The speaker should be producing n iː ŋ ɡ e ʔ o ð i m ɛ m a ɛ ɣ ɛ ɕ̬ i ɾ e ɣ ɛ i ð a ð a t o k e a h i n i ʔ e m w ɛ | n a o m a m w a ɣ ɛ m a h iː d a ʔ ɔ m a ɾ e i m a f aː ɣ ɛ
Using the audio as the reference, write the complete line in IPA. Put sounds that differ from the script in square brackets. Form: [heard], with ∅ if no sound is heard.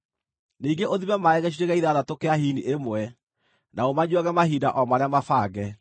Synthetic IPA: n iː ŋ ɡ e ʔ o ð i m ɛ m a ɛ ɣ ɛ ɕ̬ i ɾ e ɣ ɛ i ð a ð a t o k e a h i n i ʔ e m w ɛ | n a o m a [ɲ] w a ɣ ɛ m a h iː d a ʔ ɔ m a ɾ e [a] m a f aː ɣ ɛ